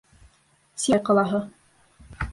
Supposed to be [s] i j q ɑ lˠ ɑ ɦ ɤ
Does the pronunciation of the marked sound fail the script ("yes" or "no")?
no